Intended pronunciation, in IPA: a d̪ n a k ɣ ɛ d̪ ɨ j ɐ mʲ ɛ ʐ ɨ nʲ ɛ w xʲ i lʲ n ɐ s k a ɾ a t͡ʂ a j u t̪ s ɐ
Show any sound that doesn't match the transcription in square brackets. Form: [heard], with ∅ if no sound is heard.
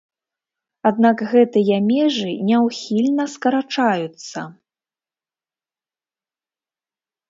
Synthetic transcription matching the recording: a d̪ n a k ɣ ɛ [t̪] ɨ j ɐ mʲ ɛ ʐ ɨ nʲ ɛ w xʲ i lʲ n ɐ s k [ɐ] ɾ a t͡ʂ a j u t̪ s ɐ